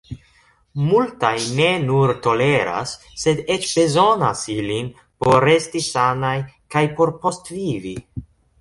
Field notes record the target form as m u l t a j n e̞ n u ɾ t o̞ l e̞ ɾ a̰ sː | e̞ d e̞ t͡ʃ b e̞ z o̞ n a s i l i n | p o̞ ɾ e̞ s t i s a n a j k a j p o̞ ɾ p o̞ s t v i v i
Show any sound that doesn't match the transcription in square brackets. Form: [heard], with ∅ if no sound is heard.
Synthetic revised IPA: m u l t a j n e̞ n u ɾ t o̞ l e̞ ɾ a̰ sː | e̞ d e̞ t͡ʃ b e̞ z o̞ n a s i l i n | p o̞ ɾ e̞ s t i s a n a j k a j p o̞ ɾ p o̞ s t v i v i